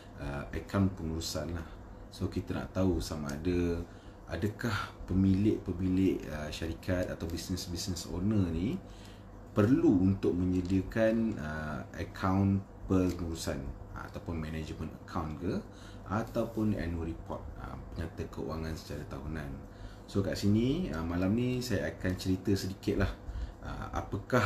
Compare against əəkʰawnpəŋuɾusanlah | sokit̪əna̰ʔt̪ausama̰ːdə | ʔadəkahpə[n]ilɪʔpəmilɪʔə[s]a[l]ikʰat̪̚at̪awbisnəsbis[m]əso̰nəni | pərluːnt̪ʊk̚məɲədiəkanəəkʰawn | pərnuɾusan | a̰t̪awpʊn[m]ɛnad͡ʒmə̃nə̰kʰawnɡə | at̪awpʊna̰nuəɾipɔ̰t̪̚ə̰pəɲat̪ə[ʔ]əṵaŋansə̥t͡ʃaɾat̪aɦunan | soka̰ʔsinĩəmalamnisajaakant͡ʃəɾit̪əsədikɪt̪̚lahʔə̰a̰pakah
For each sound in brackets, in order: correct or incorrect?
incorrect, incorrect, incorrect, incorrect, correct, incorrect

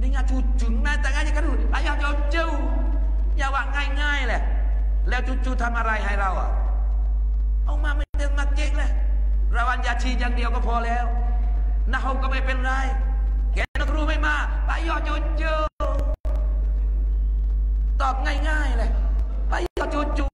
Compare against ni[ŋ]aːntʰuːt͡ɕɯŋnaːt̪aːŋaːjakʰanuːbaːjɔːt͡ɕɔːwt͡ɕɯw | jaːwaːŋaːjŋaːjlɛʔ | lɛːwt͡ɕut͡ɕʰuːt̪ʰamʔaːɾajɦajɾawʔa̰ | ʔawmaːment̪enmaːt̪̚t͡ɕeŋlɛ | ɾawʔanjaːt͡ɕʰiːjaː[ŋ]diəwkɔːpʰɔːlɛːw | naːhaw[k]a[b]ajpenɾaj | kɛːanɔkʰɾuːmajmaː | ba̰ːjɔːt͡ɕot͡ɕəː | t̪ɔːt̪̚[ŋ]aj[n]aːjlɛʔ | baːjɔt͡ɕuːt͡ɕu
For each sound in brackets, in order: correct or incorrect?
correct, correct, correct, incorrect, correct, incorrect

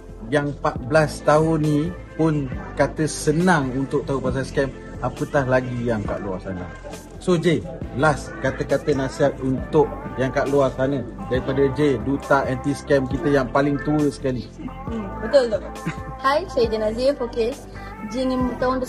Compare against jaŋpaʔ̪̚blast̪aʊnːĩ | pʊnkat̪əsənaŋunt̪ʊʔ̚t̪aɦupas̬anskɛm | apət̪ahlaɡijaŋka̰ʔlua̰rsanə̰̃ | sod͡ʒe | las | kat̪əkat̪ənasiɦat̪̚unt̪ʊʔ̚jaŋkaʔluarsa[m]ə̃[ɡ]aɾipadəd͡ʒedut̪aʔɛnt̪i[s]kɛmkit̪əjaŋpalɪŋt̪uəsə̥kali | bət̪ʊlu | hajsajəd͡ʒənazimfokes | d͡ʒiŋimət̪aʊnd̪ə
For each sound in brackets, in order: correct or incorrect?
incorrect, incorrect, correct

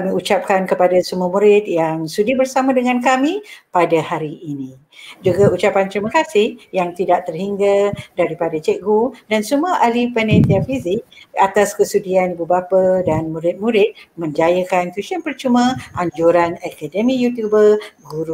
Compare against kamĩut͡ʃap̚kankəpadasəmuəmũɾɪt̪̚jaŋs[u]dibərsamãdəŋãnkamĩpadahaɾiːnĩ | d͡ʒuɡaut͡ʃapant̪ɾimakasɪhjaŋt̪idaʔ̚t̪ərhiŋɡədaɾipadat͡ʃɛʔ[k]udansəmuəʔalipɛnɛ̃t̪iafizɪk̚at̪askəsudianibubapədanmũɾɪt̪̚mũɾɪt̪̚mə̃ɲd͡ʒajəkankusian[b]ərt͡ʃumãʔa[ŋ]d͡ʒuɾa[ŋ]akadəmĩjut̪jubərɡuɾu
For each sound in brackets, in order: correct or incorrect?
correct, incorrect, incorrect, incorrect, incorrect

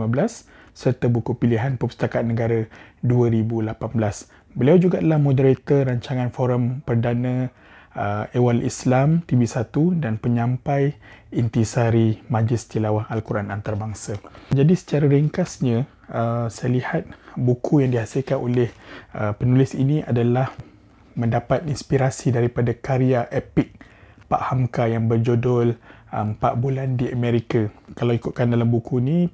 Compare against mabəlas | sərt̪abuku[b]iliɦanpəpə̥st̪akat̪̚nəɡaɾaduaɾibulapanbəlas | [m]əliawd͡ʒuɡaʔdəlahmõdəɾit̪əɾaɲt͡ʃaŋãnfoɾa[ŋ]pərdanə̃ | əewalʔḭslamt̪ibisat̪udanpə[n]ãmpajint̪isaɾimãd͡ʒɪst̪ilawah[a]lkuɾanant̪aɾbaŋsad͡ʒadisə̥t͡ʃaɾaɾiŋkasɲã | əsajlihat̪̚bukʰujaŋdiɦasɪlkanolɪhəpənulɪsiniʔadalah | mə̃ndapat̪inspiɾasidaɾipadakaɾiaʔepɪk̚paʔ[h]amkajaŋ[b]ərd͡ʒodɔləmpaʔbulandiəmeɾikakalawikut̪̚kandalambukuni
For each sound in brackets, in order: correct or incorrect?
incorrect, incorrect, incorrect, incorrect, correct, correct, correct

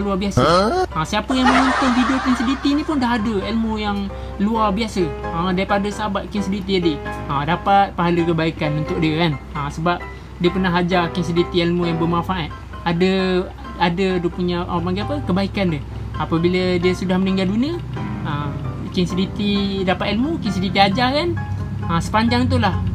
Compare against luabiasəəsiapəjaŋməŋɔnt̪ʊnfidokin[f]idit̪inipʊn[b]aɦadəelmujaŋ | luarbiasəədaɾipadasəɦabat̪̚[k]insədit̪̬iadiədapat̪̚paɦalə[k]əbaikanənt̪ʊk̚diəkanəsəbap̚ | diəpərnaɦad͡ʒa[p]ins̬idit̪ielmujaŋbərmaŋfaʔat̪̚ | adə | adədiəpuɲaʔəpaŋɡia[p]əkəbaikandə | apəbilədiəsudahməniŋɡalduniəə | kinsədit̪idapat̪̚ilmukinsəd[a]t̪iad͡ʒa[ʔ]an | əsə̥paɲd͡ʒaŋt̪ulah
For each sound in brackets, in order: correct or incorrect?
incorrect, incorrect, correct, correct, incorrect, correct, incorrect, incorrect

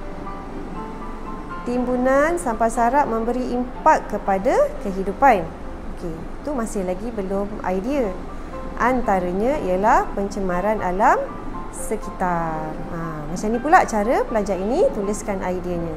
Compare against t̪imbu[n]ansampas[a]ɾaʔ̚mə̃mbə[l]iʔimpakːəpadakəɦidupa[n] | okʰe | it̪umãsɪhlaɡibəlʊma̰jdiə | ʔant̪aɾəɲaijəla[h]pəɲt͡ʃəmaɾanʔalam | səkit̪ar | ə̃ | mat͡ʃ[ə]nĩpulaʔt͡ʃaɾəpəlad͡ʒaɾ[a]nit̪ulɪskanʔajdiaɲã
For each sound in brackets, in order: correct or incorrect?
correct, correct, incorrect, correct, correct, incorrect, incorrect

